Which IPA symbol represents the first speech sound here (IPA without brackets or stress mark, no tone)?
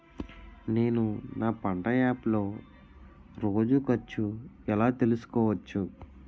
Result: n